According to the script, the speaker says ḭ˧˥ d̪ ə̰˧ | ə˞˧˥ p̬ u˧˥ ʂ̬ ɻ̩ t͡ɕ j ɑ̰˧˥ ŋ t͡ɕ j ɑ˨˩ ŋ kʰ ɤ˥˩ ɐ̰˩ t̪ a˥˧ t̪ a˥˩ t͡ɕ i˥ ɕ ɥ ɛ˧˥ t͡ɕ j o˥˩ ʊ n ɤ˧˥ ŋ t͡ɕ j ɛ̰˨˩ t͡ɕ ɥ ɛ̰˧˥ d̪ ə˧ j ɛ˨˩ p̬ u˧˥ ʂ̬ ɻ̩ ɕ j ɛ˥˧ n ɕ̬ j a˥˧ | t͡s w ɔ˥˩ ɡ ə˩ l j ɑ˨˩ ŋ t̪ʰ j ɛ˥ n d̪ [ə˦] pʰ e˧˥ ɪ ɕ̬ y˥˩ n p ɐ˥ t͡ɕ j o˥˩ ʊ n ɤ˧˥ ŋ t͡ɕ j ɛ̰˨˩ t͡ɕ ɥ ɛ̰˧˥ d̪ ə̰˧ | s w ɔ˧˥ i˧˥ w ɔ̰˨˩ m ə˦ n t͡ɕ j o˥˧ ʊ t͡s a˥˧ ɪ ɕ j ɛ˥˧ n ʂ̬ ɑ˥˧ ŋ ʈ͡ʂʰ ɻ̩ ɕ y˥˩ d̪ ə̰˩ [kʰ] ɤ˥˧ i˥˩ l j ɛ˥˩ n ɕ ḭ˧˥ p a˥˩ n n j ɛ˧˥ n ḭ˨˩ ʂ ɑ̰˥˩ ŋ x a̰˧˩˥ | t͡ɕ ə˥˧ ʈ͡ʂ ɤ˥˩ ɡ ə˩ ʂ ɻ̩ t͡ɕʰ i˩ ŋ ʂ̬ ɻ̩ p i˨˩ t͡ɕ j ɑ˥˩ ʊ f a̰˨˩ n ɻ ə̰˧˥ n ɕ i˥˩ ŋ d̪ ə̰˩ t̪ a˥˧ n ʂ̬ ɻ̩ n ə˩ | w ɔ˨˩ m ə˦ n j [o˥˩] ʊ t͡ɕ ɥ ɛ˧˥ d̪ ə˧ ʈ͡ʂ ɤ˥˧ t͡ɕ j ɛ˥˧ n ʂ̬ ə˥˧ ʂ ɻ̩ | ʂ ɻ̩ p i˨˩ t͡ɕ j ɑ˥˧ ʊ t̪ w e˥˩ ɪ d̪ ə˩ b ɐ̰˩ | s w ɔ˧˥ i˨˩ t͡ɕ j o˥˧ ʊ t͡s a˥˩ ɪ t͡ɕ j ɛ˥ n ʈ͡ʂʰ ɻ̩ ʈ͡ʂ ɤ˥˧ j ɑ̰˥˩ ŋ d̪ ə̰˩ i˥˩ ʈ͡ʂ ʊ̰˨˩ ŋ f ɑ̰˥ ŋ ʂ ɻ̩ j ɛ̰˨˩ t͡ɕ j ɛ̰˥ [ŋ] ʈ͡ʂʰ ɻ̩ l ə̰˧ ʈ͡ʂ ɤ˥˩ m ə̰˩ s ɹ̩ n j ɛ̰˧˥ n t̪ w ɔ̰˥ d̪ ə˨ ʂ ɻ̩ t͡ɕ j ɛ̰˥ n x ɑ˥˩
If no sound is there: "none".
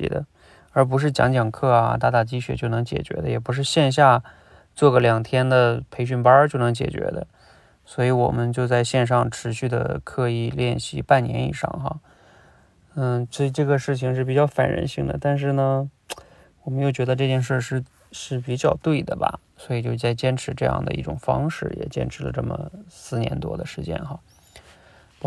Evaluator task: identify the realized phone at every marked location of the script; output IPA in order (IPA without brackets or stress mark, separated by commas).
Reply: ə˨, kʰ, o˥˩, n